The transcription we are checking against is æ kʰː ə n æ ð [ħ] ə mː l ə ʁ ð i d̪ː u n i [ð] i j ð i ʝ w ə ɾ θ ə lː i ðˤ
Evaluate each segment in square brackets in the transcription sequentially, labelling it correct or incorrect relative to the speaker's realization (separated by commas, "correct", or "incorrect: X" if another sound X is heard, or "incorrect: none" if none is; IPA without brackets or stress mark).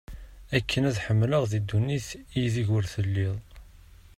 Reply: correct, incorrect: θ